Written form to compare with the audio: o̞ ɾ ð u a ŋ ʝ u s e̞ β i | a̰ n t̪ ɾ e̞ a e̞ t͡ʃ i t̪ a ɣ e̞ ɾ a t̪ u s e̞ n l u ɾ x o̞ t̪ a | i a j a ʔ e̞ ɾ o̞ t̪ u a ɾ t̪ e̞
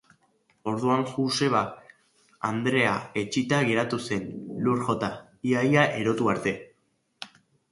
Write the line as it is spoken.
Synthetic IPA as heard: o̞ ɾ ð u a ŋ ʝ u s e̞ β a | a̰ n d̪ ɾ e̞ a e̞ t͡ʃ i t̪ a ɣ e̞ ɾ a t̪ u s e̞ n l u ɾ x o̞ t̪ a | i a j a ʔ e̞ ɾ o̞ t̪ u a ɾ t̪ e̞